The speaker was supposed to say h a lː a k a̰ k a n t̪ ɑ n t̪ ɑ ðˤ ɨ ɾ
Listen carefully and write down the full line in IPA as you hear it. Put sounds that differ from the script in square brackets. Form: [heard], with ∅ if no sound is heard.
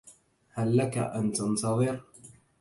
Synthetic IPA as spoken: h a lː a k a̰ [ʔ] a n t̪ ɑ n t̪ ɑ ðˤ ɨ ɾ